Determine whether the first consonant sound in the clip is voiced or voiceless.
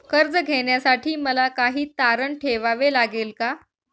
voiceless